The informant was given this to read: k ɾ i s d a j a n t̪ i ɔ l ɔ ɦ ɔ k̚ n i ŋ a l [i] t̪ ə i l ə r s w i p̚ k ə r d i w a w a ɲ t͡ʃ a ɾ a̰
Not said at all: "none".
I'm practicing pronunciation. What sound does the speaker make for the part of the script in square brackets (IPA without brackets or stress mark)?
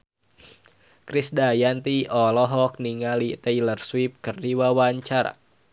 i